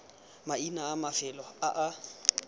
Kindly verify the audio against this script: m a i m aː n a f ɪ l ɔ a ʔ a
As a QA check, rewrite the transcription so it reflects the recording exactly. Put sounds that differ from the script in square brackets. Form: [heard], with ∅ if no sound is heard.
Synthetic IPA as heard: m a i [n] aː [m] a f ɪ l ɔ a ʔ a